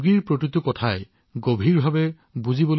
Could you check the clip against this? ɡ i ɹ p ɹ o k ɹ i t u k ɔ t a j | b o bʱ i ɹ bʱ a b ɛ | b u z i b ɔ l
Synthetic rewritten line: ɡ i ɹ p ɹ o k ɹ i t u k ɔ tʰ a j | ɡ o bʱ i ɹ bʱ a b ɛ | b u z i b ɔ l